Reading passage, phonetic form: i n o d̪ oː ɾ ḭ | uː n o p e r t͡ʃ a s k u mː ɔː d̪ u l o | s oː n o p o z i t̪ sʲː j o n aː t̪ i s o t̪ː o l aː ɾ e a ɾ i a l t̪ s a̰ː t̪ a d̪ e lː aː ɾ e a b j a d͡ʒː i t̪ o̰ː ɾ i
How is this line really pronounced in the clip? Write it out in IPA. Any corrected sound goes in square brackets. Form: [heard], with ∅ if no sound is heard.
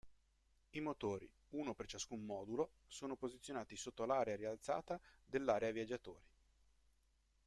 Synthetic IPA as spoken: i [m] o [t̪] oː ɾ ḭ | uː n o p e r t͡ʃ a s k u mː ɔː d̪ u l o | s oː n o p o z i t̪ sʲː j o n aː t̪ i s o t̪ː o l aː ɾ e a ɾ i a l t̪ s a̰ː t̪ a d̪ e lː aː ɾ e a [v] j a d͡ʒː [a] t̪ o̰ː ɾ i